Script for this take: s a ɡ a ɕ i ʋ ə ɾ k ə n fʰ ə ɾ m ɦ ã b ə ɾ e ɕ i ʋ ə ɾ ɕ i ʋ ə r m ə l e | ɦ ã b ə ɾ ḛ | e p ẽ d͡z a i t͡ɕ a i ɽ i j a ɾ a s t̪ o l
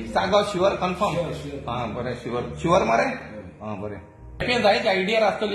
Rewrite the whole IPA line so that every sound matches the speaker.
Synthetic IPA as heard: s a ɡ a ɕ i ʋ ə ɾ k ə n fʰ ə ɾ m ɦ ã b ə ɾ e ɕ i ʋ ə ɾ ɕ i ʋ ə ɾ m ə ɾ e | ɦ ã b ə ɾ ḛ | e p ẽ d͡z a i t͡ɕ a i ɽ i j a ɾ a s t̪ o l

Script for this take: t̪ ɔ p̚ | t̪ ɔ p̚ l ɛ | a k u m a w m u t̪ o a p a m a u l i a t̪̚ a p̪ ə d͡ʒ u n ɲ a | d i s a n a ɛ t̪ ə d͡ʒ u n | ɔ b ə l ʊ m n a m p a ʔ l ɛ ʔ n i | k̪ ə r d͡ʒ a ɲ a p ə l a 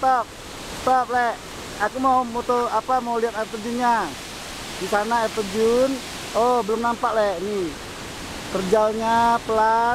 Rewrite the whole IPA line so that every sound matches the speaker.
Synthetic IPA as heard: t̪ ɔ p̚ | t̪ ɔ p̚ l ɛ | a k u m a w m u t̪ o a p a m a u l i a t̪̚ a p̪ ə d͡ʒ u n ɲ a | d i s a n a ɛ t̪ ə d͡ʒ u n | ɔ b ə l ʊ m n a m p a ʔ l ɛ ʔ n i | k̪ ə r d͡ʒ a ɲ a p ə l a

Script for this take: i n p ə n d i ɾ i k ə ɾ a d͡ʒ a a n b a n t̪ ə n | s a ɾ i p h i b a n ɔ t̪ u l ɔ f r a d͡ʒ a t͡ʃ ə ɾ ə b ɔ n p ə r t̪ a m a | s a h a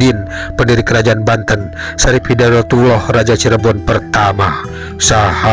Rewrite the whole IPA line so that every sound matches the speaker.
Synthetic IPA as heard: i n p ə n d i ɾ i k ə ɾ a d͡ʒ a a n b a n t̪ ə n | s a ɾ i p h i d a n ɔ t̪ u l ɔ h r a d͡ʒ a t͡ʃ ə ɾ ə b ɔ n p ə r t̪ a m a | s a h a

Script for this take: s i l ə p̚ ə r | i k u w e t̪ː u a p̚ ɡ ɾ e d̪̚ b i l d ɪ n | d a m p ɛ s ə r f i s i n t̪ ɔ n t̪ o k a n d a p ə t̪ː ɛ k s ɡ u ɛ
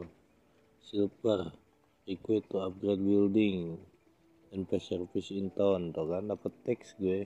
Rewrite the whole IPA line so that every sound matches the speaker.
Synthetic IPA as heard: s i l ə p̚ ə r | i k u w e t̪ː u a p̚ ɡ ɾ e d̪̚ b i l d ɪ ŋ | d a n p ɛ s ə r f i s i n t̪ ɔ n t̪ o k a n d a p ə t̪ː ɛ k s ɡ u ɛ

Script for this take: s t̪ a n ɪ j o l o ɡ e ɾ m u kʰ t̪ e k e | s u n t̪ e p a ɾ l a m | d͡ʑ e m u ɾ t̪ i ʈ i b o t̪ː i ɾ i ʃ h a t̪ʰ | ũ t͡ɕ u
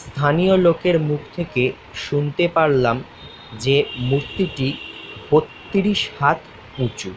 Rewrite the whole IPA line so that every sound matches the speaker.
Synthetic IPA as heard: s t̪ʰ a n i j o l o k e ɾ m u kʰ t̪ʰ e k e | ʃ u n t̪ e p a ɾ l a m | d͡ʑ e m u ɾ t̪ i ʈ i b o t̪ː i ɾ i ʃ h a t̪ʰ | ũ t͡ɕ u

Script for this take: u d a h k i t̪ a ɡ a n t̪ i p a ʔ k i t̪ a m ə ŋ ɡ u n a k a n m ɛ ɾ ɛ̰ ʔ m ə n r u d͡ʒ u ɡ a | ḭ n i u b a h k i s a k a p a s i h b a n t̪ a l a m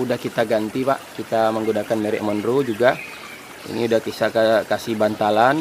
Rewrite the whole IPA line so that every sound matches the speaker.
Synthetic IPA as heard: u d a h k i t̪ a ɡ a n t̪ i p a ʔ k i t̪ a m ə ŋ ɡ u n a k a n m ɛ ɾ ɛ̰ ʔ m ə n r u d͡ʒ u ɡ a | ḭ n i u d a h k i s a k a k a s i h b a n t̪ a l a n

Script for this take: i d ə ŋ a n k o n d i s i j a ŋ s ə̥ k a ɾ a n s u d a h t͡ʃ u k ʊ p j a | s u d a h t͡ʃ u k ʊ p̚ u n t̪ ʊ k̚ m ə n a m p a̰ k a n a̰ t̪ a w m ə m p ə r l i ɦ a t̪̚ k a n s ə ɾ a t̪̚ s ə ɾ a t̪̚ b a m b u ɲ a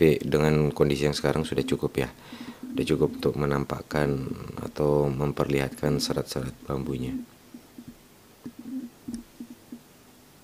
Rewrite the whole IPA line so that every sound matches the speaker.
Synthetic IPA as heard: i d ə ŋ a n k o n d i s i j a ŋ s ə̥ k a ɾ a ŋ s u d a h t͡ʃ u k ʊ p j a | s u d a h t͡ʃ u k ʊ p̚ u n t̪ ʊ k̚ m ə n a m p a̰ k a n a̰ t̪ a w m ə m p ə r l i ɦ a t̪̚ k a n s ə ɾ a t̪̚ s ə ɾ a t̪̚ b a m b u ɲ a

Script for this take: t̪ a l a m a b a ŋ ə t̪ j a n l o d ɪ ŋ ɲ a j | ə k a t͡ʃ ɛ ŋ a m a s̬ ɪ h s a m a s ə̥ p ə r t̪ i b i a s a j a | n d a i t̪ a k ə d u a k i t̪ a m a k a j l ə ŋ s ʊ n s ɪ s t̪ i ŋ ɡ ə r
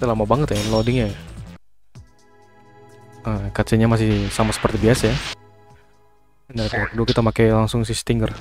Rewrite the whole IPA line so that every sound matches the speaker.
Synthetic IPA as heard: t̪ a l a m a b a ŋ ə t̪ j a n l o d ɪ ŋ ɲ a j | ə k a t͡ʃ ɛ ɲ a m a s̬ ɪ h s a m a s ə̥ p ə r t̪ i b i a s a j a | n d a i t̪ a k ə d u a k i t̪ a m a k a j l a ŋ s ʊ ŋ s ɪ s t̪ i ŋ ɡ ə r

